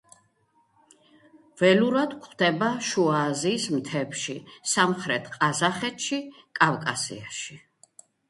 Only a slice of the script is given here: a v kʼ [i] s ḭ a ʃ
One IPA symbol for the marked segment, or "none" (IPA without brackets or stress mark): a